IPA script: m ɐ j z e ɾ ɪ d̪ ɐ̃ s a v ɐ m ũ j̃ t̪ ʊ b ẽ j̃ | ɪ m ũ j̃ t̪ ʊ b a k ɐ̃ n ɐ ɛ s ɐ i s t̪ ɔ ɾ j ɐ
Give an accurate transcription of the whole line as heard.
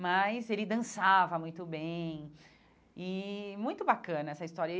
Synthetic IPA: m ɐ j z e l ɪ d̪ ɐ̃ s a v ɐ m ũ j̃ t̪ ʊ b ẽ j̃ | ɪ m ũ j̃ t̪ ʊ b a k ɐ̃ n ɐ ɛ s ɐ i s t̪ ɔ ɾ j ɐ